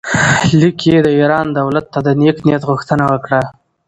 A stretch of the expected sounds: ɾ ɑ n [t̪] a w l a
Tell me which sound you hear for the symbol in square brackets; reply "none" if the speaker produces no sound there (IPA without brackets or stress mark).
d̪